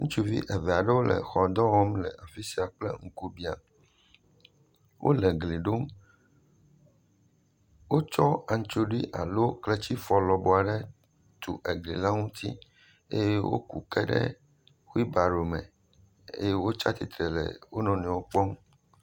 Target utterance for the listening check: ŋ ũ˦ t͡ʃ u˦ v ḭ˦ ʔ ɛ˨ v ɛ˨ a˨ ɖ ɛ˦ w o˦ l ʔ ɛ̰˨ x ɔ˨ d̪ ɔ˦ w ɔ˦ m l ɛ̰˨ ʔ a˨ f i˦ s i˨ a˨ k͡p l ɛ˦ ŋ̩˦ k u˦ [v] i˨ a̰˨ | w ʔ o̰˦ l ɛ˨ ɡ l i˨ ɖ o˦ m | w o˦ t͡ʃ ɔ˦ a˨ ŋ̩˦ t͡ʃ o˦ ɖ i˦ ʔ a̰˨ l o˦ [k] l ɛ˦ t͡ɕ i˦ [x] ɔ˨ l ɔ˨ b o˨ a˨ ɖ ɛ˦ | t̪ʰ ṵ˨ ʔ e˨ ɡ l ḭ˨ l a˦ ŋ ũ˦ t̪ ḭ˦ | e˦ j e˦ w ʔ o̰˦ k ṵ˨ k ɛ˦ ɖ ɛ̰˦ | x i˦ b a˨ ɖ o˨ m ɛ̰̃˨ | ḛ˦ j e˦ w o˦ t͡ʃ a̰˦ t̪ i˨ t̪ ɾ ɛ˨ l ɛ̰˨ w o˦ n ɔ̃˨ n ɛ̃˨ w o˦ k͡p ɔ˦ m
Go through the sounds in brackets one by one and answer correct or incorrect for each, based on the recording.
incorrect, correct, incorrect

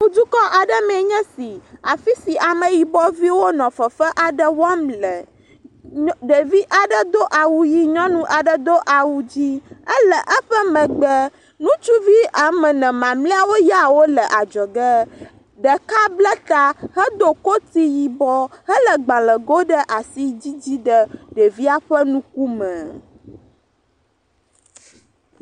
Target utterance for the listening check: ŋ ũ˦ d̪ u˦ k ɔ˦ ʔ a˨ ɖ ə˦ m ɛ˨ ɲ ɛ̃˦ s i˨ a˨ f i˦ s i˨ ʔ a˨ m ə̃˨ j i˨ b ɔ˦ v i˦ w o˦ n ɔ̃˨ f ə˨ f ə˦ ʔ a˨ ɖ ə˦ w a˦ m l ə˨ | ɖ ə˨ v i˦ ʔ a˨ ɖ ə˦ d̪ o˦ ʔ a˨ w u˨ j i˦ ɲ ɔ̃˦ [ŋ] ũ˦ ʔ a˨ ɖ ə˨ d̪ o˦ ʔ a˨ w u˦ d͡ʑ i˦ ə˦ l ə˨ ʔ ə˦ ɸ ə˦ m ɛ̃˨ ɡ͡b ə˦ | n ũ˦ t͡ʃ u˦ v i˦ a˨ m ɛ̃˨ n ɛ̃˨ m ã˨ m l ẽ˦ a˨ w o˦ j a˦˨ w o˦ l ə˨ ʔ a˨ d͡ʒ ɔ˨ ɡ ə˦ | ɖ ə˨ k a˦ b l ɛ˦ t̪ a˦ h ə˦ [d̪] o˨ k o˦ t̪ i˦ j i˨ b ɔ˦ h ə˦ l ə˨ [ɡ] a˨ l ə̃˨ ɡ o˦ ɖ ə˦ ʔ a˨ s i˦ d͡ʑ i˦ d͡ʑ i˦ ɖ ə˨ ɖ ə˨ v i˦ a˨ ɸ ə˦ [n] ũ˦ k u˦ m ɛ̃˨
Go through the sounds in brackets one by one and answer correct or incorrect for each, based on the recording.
incorrect, correct, incorrect, correct

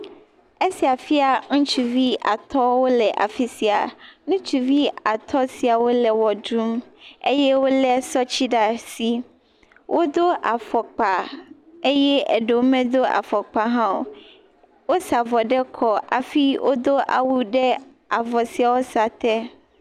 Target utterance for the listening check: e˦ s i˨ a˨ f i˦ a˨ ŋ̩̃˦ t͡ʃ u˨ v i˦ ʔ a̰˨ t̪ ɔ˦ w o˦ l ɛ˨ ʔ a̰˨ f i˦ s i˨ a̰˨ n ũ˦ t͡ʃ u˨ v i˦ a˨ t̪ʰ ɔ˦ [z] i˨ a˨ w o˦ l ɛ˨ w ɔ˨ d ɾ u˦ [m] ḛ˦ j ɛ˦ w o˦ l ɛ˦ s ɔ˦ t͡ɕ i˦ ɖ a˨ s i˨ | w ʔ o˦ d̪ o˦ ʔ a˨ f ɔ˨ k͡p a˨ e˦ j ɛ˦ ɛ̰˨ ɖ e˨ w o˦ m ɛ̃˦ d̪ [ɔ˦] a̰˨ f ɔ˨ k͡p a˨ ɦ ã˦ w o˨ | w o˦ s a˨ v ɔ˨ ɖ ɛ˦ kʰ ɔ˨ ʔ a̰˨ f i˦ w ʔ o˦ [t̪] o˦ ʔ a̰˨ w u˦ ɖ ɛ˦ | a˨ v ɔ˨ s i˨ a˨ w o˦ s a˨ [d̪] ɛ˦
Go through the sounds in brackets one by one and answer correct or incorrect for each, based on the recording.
incorrect, correct, incorrect, incorrect, incorrect

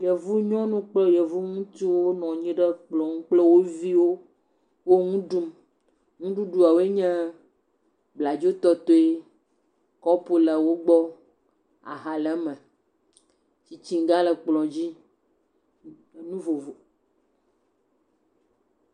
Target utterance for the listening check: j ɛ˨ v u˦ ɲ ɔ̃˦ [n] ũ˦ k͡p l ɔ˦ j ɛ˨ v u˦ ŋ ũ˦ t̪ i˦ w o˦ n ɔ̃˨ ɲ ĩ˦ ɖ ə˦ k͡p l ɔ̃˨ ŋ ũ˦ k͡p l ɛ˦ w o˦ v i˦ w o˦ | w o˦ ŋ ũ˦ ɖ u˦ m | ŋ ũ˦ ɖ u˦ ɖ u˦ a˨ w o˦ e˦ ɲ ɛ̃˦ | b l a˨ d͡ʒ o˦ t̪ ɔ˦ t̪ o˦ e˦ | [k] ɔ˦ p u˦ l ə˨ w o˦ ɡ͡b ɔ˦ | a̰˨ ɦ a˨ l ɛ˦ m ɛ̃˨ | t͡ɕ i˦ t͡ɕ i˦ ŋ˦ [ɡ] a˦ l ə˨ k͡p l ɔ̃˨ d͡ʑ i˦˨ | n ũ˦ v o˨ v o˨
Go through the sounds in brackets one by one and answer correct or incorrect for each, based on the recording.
correct, correct, correct

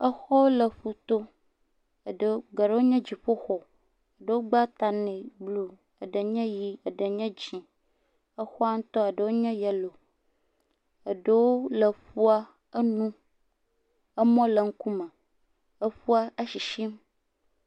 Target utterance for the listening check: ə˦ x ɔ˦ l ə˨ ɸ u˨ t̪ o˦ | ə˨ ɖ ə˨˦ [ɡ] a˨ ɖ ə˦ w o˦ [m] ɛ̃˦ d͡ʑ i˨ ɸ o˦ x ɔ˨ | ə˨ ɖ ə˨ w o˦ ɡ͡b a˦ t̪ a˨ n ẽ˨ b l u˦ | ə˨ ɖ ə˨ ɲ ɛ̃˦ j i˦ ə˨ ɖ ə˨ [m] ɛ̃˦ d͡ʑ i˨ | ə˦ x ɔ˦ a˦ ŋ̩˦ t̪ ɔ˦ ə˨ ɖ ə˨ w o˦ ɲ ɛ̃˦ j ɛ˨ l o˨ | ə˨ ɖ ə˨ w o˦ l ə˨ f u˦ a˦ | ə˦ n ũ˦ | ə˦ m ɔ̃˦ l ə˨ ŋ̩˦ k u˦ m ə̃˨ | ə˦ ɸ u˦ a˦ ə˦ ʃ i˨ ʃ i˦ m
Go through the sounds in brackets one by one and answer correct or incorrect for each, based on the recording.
correct, incorrect, incorrect

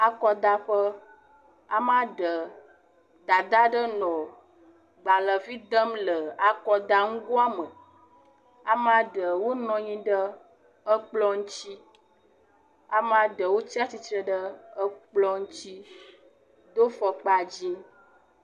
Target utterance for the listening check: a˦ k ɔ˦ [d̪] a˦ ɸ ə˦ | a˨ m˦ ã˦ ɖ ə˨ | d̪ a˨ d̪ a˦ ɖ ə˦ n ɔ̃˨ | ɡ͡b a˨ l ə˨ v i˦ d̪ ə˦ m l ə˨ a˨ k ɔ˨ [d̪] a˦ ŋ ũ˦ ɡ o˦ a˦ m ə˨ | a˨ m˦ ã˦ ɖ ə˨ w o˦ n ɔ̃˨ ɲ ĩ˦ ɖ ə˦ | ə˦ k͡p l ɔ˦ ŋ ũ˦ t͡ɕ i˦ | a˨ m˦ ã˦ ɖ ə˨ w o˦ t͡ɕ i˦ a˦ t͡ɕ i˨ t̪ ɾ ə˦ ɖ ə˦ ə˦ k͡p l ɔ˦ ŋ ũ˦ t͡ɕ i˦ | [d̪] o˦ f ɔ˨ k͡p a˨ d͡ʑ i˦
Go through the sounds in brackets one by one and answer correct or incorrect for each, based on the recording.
correct, correct, correct

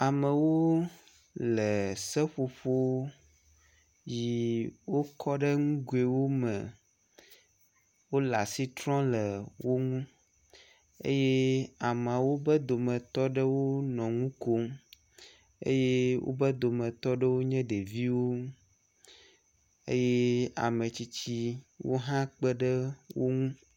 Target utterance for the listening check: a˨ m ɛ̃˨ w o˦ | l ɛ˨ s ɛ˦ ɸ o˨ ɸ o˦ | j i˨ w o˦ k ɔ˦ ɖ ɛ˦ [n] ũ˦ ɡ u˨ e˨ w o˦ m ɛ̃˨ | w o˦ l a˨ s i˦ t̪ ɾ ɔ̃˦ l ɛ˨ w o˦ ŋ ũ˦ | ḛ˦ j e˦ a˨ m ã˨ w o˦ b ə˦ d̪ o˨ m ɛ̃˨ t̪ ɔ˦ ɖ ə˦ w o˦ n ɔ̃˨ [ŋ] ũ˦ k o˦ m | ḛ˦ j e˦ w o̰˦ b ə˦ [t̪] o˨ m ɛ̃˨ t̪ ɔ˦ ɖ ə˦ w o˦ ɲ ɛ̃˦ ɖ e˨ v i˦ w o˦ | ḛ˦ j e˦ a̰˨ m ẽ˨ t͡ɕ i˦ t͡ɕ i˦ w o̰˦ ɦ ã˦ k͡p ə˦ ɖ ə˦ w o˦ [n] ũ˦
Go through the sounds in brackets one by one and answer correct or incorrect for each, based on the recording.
incorrect, correct, incorrect, incorrect

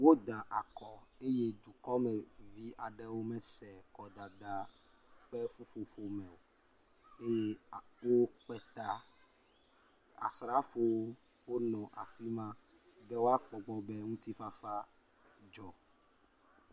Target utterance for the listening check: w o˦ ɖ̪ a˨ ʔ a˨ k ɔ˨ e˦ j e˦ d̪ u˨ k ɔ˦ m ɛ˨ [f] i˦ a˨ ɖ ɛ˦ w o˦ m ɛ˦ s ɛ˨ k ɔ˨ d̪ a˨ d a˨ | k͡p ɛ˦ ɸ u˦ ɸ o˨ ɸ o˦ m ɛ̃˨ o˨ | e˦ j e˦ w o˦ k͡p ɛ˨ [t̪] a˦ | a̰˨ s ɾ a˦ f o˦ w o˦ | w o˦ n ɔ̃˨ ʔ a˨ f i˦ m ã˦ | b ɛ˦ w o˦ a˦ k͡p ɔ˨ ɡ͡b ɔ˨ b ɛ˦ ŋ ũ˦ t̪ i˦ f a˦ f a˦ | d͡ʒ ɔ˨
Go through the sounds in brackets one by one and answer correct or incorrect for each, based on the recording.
incorrect, correct

